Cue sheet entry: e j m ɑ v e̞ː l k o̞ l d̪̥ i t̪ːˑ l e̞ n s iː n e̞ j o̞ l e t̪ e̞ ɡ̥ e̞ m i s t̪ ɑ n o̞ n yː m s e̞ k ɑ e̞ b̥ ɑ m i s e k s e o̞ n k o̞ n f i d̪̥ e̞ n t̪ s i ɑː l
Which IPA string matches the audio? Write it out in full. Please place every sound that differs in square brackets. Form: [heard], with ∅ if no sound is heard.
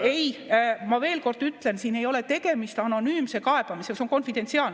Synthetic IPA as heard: e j m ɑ v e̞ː l k o̞ [r] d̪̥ [y] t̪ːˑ l e̞ n s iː n e̞ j o̞ l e t̪ e̞ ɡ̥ e̞ m i s t̪ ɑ n o̞ n yː m s e̞ k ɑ e̞ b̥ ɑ m i s e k s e o̞ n k o̞ n f i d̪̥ e̞ n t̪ s i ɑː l